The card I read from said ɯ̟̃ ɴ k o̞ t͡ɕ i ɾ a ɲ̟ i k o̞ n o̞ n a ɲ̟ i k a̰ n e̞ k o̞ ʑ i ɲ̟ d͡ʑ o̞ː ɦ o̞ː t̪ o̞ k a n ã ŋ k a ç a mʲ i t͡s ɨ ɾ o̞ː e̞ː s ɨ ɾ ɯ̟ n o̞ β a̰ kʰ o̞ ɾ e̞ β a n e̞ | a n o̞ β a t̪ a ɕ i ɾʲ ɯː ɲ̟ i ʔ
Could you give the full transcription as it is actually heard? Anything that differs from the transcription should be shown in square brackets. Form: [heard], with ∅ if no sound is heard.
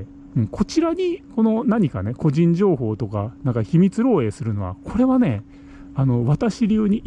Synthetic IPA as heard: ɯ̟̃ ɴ k o̞ t͡ɕ i ɾ a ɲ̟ i k o̞ n o̞ n a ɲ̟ i k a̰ n e̞ k o̞ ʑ [ĩ] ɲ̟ d͡ʑ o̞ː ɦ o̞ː t̪ o̞ k a n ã ŋ k a ç [i] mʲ i t͡s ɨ ɾ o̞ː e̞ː s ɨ ɾ ɯ̟ n o̞ β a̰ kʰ o̞ ɾ e̞ β a n e̞ | a n o̞ β a t̪ a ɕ i ɾʲ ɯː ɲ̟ i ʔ